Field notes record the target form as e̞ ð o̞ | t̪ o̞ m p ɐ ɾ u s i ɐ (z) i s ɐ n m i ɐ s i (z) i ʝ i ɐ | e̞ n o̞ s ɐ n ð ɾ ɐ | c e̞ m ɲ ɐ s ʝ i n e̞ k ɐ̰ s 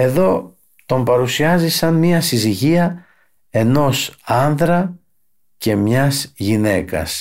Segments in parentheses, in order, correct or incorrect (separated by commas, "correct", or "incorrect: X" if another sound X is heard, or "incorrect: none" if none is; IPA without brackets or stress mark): correct, correct